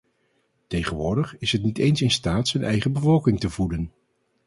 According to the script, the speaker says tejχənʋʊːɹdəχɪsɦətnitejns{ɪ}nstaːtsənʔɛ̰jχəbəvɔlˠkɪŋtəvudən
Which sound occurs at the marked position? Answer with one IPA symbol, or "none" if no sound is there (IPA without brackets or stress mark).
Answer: ɪ